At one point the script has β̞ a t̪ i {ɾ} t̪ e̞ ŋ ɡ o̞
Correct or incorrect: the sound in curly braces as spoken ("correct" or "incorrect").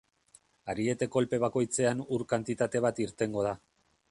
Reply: correct